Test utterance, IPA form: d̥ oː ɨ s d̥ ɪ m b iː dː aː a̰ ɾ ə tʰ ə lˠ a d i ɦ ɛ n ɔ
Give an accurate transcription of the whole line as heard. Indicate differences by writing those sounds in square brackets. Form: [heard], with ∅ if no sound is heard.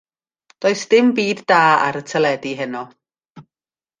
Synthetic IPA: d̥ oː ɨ s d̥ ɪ m b iː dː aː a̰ ɾ ə tʰ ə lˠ [ɛ] d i ɦ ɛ n ɔ